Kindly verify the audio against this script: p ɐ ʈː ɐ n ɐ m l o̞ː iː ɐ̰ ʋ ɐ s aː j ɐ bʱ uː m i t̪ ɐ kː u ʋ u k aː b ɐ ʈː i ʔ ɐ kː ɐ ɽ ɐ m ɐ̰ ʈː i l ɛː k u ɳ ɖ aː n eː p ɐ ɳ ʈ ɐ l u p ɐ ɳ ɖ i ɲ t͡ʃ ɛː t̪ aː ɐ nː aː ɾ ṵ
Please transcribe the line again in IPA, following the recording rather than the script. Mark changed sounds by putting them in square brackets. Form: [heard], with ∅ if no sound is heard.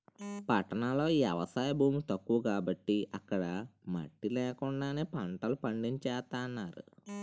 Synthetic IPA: p ɐ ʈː ɐ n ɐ [∅] l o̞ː iː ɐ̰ ʋ ɐ s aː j ɐ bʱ uː m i t̪ ɐ kː u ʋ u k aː b ɐ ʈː i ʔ ɐ kː ɐ ɽ ɐ m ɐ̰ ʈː i l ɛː k u ɳ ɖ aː n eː p ɐ ɳ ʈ ɐ l u p ɐ ɳ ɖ i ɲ t͡ʃ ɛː t̪ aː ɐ nː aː ɾ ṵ